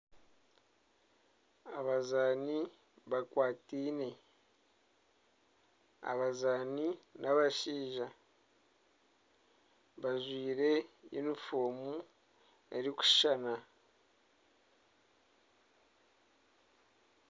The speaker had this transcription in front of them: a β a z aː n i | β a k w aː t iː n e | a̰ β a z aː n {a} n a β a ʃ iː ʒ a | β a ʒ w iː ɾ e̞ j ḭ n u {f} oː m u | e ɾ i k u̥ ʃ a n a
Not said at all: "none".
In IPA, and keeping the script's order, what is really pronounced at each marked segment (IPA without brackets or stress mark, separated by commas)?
i, f